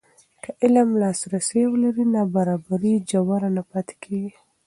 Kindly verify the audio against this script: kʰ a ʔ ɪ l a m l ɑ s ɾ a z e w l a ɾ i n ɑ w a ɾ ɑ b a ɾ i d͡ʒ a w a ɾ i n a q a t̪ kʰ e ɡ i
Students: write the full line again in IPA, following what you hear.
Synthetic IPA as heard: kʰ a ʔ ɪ l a m l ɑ s ɾ a s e w l a ɾ i n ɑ b a ɾ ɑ b a ɾ i d͡ʒ a w a ɾ a n a p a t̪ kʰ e ɡ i